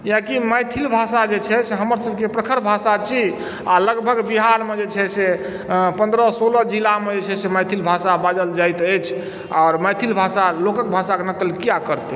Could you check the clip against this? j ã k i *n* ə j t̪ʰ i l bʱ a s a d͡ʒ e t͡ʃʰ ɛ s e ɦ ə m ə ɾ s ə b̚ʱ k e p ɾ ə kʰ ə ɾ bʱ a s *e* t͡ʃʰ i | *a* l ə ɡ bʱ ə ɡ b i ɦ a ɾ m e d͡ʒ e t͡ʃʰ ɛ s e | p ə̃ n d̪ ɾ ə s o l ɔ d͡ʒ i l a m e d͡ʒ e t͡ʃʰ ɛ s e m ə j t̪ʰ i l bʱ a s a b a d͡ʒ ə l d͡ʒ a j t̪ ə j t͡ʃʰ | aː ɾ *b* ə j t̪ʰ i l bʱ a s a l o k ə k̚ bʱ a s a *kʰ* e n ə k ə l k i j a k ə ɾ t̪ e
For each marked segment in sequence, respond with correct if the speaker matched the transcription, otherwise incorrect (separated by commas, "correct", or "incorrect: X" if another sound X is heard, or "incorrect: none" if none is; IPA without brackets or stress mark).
incorrect: m, incorrect: a, correct, incorrect: m, incorrect: k